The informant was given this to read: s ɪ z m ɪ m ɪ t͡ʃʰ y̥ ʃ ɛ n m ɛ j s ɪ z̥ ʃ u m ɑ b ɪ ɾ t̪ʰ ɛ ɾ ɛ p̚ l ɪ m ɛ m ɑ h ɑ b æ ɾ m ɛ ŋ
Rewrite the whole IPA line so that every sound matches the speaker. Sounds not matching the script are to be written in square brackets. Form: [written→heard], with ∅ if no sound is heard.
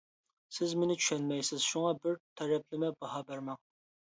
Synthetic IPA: s ɪ z m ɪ [m→n] ɪ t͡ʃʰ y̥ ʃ ɛ n m ɛ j s ɪ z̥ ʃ u [m→ŋ] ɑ b ɪ ɾ t̪ʰ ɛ ɾ ɛ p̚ l ɪ m ɛ [m→b] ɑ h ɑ b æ ɾ m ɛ ŋ